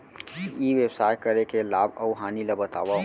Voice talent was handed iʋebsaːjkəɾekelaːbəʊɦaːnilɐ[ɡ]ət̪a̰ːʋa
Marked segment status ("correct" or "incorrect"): incorrect